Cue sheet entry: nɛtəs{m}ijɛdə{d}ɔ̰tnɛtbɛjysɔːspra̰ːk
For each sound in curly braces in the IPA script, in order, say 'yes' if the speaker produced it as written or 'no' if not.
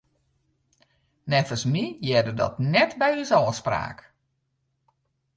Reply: yes, yes

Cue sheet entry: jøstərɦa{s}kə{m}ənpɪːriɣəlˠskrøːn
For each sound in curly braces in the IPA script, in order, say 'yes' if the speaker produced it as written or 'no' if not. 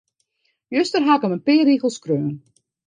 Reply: no, yes

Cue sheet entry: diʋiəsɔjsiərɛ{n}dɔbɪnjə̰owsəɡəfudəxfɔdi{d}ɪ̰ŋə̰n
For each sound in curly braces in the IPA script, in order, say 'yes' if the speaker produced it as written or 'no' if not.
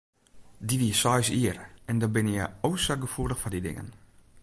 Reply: yes, yes

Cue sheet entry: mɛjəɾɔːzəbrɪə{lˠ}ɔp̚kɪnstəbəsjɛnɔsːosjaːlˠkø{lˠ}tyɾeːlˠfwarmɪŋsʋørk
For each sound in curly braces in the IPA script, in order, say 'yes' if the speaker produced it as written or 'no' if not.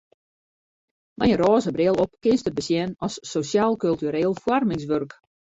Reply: yes, yes

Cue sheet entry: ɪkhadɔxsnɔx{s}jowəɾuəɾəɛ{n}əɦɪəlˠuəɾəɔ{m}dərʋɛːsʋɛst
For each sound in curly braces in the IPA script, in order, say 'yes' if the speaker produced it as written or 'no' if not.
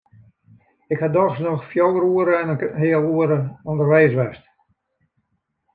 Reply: no, yes, no

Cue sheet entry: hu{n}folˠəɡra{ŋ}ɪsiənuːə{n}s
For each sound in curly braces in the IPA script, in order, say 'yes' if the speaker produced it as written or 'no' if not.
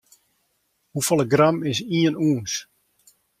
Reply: no, no, yes

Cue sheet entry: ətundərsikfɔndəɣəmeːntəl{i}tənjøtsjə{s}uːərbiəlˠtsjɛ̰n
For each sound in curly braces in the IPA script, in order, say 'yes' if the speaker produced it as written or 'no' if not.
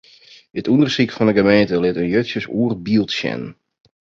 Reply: no, yes

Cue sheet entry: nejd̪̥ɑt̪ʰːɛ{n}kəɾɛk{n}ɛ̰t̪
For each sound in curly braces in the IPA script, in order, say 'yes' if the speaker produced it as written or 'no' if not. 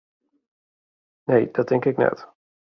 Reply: no, yes

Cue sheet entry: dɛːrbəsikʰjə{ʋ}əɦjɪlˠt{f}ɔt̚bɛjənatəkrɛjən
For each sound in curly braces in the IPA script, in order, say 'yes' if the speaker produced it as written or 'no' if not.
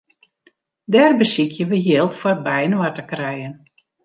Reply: yes, yes

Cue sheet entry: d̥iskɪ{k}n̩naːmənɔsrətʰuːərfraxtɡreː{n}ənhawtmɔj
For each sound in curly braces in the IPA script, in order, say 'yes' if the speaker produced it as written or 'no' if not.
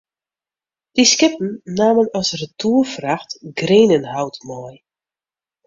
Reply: no, yes

